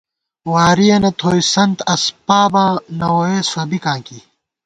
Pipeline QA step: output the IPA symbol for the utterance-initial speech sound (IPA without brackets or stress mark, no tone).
w